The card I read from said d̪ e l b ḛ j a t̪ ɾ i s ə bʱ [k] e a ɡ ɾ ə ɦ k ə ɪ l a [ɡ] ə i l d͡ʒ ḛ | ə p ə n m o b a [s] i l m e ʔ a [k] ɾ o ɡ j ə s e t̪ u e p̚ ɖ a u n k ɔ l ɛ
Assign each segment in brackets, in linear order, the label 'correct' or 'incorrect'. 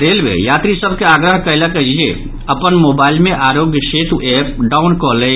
correct, incorrect, incorrect, incorrect

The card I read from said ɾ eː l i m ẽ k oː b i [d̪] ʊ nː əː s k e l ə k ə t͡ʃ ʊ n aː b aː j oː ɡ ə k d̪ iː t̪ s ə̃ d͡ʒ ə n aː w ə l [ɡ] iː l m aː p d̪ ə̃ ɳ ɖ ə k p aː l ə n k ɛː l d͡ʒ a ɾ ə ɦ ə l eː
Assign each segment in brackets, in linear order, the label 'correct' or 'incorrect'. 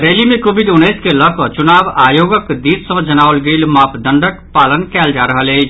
correct, correct

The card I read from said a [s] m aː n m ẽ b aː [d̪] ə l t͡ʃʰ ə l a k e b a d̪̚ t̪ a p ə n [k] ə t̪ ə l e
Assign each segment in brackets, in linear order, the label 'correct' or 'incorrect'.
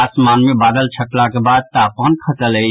correct, correct, incorrect

